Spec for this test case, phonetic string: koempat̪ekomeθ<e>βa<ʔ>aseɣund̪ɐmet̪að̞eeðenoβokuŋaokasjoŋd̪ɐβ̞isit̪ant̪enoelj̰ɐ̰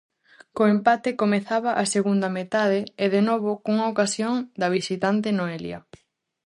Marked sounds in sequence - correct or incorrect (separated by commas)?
incorrect, correct